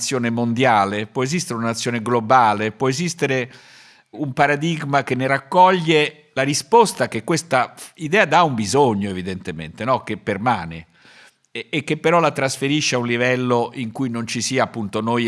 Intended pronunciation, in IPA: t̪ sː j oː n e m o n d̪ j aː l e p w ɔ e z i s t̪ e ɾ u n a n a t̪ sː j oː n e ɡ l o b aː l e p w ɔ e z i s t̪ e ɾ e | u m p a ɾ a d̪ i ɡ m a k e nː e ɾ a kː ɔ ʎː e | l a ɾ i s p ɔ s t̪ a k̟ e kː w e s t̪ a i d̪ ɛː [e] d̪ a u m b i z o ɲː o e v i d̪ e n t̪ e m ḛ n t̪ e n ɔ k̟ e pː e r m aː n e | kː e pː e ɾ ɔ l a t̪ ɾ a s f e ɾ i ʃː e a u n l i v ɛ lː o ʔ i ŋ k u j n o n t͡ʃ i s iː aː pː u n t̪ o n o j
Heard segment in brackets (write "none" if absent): a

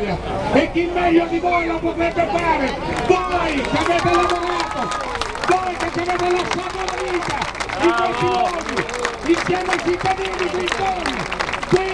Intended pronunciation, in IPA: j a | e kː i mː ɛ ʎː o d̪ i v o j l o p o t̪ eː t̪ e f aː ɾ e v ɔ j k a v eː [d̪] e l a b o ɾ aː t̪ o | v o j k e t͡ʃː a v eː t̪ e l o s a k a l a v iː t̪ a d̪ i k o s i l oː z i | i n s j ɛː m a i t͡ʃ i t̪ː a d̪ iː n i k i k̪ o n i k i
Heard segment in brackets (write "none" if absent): t̪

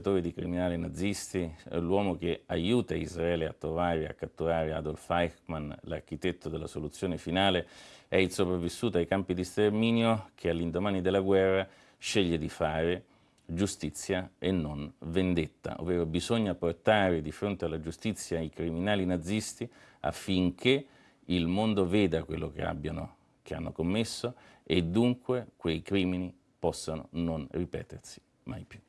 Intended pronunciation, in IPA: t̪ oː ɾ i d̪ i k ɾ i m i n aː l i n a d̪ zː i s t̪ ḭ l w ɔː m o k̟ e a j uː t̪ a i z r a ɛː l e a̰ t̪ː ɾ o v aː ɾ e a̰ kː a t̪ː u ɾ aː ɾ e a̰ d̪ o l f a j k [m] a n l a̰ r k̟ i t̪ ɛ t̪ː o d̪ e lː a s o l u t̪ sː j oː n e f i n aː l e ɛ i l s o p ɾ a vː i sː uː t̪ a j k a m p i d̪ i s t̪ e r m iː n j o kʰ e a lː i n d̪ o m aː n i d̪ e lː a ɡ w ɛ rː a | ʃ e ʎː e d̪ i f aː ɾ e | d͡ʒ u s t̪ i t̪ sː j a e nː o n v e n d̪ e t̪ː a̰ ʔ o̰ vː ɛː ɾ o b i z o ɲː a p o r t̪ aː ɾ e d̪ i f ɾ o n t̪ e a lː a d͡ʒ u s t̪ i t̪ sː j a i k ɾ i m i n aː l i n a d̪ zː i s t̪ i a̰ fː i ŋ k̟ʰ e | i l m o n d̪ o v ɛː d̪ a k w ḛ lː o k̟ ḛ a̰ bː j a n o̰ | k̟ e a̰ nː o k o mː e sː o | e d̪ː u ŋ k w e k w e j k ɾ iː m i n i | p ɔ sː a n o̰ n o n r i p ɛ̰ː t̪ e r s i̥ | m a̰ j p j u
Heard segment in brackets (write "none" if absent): m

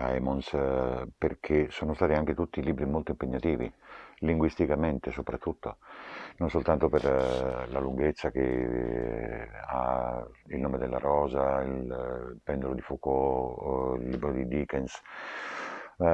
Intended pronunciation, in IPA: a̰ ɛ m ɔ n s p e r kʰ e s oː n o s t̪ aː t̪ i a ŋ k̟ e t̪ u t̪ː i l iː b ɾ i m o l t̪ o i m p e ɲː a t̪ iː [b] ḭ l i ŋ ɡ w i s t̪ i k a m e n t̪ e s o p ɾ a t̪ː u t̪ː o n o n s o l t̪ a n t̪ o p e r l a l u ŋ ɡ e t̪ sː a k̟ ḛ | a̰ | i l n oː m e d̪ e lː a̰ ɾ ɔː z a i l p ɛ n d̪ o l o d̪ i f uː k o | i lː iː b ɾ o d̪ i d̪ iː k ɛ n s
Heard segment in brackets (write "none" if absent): v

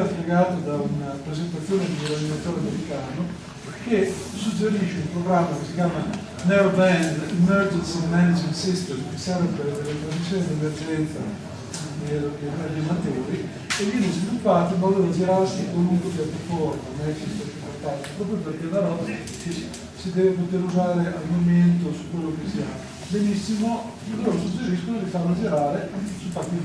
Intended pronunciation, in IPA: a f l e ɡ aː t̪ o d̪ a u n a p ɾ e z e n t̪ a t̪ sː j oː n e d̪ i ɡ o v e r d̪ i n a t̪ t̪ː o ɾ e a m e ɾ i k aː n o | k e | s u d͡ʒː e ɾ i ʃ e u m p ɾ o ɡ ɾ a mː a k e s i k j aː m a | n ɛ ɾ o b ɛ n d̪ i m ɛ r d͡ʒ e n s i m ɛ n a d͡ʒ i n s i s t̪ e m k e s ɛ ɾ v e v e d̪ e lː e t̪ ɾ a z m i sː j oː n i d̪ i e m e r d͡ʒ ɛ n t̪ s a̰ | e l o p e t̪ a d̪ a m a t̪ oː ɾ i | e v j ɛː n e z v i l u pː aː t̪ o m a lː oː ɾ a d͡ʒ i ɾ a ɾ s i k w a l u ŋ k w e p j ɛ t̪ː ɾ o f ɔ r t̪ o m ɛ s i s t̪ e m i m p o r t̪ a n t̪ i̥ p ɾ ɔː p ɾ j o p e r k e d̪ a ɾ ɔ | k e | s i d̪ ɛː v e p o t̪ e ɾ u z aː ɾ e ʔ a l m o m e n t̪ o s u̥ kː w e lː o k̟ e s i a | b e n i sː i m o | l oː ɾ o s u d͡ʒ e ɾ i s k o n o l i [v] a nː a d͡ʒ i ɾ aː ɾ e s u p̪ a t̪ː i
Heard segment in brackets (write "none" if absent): f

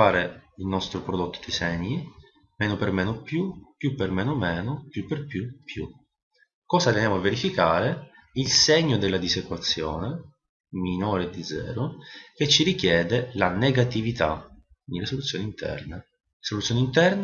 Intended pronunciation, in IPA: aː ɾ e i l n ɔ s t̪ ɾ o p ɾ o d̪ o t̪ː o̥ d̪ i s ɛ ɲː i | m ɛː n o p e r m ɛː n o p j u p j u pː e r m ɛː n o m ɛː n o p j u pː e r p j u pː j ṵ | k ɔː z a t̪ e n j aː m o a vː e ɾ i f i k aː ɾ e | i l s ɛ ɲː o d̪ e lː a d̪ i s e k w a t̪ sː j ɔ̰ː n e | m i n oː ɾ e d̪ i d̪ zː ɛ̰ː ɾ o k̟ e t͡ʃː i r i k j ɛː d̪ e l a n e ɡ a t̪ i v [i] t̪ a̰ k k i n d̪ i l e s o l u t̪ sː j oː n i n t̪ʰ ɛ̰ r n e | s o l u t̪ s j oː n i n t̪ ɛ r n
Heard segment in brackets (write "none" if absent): i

